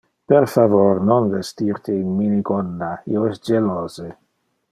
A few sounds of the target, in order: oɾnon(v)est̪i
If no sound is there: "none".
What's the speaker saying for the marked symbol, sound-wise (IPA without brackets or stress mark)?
v